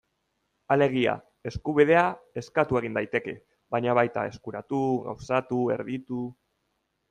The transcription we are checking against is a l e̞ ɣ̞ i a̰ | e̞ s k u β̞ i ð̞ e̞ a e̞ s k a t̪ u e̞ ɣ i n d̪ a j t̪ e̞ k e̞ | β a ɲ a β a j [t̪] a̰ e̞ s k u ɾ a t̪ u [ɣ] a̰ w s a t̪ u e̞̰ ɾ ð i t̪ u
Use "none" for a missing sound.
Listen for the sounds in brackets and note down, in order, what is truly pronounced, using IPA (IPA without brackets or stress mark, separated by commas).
t̪, ɣ